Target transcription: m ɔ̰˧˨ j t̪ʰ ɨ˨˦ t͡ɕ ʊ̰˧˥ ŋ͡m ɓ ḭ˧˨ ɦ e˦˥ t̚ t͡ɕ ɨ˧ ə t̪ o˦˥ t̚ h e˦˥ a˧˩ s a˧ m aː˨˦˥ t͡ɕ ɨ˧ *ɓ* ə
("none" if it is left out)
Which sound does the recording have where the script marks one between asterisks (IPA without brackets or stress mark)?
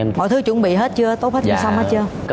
none